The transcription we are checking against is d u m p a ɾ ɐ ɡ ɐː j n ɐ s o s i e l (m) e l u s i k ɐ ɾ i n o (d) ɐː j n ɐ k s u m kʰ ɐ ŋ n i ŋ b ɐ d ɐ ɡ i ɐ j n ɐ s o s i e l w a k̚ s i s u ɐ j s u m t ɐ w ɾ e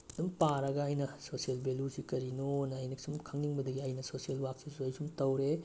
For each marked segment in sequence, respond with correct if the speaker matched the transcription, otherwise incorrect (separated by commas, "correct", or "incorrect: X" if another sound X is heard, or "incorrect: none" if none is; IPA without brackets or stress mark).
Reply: incorrect: b, incorrect: n